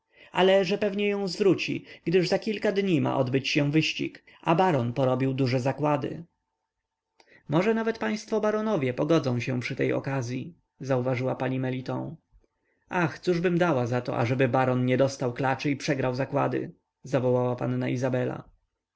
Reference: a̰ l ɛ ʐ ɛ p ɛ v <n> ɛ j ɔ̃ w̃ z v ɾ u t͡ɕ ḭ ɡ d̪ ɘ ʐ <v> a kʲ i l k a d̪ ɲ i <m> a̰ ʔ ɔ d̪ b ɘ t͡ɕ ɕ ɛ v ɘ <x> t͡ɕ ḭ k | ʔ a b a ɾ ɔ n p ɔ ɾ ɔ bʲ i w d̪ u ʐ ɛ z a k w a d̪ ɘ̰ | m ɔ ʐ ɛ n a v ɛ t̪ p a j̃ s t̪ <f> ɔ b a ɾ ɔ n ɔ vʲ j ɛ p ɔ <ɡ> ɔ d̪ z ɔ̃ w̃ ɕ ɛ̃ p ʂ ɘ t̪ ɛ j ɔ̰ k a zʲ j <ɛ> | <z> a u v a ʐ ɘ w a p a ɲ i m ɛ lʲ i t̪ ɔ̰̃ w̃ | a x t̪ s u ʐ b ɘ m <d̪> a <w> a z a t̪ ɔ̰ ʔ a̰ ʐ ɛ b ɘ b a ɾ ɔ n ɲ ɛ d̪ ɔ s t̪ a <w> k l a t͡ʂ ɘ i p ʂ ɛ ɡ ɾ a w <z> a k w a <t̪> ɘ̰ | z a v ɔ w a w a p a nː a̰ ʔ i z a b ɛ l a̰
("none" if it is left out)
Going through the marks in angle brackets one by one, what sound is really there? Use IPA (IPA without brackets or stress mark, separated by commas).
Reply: ɲ, z, m, ɕ, f, ɡ, i, z, d̪, w, w, z, d̪